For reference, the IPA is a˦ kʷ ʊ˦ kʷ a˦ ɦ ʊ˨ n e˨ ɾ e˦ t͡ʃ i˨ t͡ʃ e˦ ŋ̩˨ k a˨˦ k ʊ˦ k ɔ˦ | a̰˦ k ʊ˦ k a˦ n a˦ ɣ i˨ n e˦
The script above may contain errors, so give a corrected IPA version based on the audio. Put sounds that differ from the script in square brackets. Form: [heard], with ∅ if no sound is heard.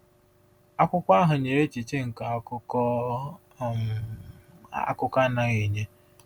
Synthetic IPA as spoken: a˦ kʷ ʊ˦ kʷ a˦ ɦ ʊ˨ [ɲ] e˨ ɾ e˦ t͡ʃ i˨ t͡ʃ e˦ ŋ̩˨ k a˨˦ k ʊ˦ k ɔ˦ | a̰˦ k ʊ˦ k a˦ n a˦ ɣ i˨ [ɲ] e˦